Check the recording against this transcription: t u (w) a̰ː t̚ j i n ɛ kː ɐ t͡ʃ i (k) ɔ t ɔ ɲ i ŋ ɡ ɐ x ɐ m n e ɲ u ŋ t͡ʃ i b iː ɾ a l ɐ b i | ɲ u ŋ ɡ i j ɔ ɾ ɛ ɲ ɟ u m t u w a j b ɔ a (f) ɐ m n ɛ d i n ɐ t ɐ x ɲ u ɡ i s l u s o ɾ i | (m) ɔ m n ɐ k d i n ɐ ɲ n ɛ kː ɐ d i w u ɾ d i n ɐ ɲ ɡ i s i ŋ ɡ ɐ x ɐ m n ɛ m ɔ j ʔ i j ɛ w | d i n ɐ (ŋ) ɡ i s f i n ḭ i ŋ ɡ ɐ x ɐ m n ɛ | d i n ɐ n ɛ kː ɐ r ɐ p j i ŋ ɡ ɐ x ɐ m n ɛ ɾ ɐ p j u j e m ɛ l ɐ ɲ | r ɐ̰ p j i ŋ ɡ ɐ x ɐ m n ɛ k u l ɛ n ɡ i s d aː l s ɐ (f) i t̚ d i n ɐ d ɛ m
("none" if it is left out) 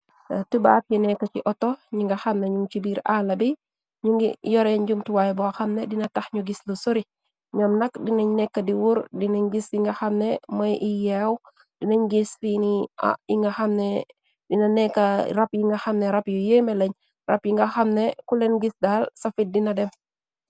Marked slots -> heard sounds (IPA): b, ʔ, x, ɲ, ɲ, f

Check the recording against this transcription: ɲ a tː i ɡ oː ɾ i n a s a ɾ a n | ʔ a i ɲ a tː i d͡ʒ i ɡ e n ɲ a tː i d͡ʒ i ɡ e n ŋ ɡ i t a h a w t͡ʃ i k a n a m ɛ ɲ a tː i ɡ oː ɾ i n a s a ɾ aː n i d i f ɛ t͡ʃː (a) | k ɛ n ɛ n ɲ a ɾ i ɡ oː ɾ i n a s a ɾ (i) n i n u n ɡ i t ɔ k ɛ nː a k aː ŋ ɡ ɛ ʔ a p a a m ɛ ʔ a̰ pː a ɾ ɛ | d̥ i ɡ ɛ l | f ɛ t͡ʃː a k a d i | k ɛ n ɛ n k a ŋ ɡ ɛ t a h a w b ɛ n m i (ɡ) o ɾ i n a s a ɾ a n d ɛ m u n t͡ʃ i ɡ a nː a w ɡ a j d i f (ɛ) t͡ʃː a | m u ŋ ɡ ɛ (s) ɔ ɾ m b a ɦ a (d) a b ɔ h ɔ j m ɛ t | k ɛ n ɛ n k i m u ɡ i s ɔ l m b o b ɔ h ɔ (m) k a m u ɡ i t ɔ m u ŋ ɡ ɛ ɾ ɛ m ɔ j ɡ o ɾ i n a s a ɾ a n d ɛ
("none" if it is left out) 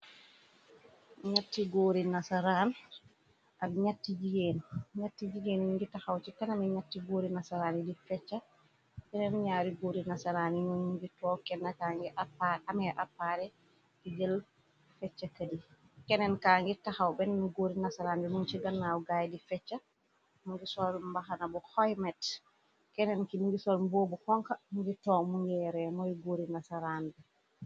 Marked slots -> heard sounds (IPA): a, a, ɡ, ɛ, s, n, ŋ

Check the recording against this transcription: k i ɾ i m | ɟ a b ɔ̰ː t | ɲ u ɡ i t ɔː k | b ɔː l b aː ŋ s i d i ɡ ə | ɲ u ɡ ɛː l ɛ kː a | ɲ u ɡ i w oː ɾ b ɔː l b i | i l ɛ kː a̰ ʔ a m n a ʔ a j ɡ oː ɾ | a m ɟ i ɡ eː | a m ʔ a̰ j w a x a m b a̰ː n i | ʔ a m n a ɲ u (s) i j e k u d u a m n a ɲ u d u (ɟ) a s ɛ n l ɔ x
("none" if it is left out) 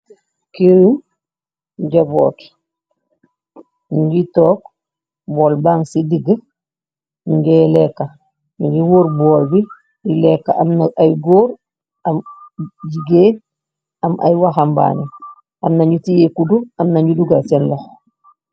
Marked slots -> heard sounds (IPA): t, ɡ

